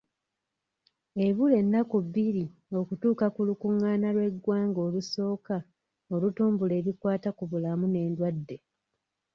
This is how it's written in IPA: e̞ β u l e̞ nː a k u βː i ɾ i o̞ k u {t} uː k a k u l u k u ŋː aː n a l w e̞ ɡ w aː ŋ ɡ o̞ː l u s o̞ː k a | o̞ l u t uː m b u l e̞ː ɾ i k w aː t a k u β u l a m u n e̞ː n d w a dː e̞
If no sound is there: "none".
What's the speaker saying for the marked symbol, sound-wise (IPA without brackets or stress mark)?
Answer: t